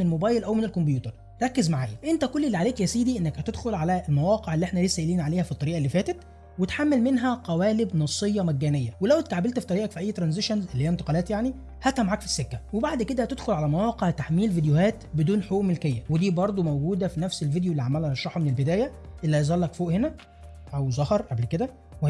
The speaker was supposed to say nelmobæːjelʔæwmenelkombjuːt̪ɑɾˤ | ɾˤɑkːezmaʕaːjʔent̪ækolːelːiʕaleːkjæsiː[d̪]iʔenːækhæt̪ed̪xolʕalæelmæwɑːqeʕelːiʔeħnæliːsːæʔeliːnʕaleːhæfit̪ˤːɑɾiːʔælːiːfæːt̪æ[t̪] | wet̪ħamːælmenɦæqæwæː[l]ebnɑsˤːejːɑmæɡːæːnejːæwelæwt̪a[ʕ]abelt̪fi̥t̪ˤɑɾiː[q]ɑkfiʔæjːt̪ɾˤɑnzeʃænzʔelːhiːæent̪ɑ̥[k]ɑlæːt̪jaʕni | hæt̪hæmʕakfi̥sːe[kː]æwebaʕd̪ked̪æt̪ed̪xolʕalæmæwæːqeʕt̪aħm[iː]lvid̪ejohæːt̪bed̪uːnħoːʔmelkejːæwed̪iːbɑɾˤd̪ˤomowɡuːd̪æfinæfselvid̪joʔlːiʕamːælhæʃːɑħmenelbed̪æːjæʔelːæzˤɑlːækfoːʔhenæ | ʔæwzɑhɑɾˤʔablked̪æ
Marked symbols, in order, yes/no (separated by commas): yes, yes, yes, yes, no, no, yes, yes